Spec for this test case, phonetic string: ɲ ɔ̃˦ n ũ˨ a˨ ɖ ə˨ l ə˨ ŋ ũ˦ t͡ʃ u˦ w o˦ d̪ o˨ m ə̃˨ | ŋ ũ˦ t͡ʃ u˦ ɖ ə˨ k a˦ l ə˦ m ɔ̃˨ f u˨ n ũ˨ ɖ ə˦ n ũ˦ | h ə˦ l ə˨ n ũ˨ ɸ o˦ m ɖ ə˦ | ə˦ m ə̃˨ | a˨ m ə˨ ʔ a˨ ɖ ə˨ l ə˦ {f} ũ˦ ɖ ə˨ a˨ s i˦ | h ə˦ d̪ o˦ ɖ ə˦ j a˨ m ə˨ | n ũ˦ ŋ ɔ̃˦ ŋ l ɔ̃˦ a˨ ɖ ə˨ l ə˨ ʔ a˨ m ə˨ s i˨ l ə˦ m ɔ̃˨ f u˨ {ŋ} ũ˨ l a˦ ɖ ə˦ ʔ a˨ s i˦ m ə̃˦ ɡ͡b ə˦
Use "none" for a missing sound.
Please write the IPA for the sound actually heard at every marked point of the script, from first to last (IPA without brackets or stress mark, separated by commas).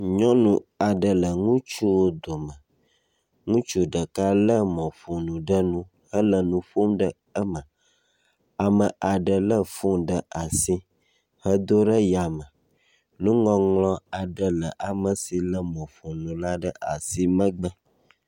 f, n